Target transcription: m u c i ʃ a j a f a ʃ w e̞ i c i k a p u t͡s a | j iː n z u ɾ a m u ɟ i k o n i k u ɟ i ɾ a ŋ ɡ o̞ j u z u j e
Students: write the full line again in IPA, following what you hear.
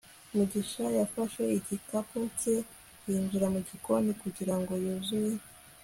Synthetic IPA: m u ɟ i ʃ a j a f a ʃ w e̞ i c i k a p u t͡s e | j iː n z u ɾ a m u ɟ i k o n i k u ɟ i ɾ a ŋ ɡ o̞ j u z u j e